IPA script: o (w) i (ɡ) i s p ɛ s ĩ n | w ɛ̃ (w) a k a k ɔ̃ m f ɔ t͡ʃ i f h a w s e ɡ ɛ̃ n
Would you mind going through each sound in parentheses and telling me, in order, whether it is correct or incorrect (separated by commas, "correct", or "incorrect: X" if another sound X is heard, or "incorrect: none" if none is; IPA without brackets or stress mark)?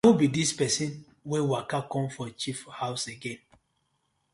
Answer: incorrect: b, incorrect: d, correct